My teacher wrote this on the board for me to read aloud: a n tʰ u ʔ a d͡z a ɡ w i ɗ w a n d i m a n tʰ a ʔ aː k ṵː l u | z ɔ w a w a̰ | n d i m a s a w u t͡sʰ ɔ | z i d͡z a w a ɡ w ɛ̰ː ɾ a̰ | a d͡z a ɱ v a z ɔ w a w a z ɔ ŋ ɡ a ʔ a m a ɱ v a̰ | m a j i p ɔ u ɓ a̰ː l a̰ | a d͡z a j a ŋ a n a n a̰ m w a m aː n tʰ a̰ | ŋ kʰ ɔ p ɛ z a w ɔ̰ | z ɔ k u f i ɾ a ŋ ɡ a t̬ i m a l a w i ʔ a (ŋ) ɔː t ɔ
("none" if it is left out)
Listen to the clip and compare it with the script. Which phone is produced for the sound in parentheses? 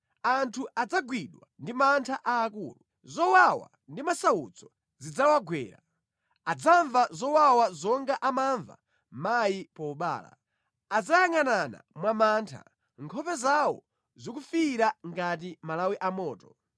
m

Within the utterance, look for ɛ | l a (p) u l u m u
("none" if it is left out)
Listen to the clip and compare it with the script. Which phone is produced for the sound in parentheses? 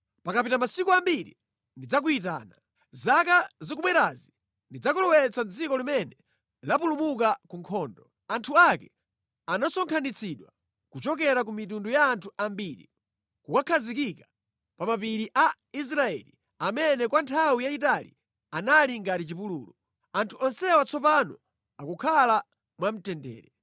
p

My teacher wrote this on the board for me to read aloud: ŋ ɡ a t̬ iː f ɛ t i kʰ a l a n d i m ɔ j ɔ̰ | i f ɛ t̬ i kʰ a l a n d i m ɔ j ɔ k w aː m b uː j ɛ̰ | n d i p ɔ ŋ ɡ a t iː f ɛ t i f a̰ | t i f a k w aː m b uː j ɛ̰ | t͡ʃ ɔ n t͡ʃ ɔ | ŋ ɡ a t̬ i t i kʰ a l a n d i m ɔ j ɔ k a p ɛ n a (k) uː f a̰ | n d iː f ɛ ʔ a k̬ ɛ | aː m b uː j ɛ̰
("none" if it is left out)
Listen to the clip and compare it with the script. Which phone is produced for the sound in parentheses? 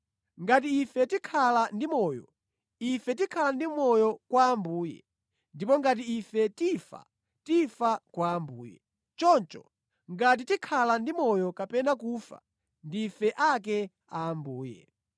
k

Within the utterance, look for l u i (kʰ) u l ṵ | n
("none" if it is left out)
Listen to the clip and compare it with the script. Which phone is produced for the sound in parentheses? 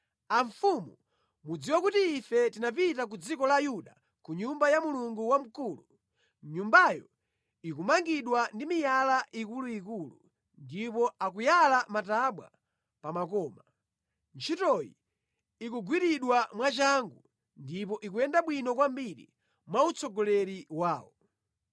k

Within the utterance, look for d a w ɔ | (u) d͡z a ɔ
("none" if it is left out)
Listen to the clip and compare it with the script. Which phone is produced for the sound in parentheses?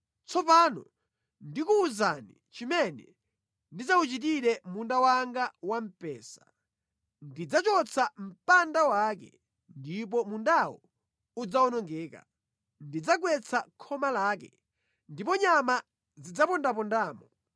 u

